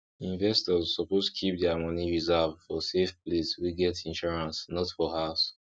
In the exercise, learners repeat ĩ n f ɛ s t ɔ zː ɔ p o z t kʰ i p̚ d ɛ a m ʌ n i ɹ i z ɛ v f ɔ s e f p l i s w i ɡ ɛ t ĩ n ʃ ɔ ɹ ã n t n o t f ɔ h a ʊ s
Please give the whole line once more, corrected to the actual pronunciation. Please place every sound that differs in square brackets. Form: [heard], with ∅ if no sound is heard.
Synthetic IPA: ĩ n [v] ɛ s t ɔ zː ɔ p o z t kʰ i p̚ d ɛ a m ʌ n i ɹ i z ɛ v f ɔ s e f p l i s w i ɡ ɛ t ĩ n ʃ ɔ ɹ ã n [s] n [ɔ] t f ɔ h a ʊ s